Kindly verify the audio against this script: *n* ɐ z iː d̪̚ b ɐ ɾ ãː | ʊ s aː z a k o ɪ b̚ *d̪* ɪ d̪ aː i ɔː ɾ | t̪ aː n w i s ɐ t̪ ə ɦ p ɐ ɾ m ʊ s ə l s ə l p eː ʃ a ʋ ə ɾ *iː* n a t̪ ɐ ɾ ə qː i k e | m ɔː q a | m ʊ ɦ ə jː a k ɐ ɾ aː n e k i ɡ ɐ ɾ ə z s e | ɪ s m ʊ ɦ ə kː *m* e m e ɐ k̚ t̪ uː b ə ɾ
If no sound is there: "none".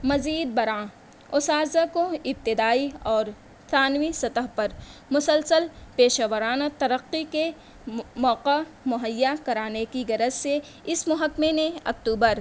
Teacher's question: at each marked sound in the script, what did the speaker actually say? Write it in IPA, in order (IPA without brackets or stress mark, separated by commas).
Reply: m, t̪, aː, m